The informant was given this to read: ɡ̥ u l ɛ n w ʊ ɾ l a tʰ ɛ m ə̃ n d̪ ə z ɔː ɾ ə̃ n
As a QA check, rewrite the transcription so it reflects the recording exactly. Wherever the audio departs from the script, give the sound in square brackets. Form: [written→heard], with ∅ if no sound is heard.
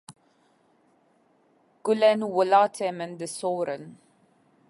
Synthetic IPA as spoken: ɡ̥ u l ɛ n w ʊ [ɾ→∅] l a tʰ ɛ m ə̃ n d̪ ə [z→s] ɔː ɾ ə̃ n